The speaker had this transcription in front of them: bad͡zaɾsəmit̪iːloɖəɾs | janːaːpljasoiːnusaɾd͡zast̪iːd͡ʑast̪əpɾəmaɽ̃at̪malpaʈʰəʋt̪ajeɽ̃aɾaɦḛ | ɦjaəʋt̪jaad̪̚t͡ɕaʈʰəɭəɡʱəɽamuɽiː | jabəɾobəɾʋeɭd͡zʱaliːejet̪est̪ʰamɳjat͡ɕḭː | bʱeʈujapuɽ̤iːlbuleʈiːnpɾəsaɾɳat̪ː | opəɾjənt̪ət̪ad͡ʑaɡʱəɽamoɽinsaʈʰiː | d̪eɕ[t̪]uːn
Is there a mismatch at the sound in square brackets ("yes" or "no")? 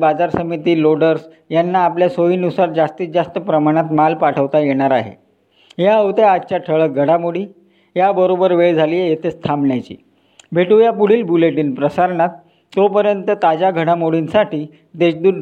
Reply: yes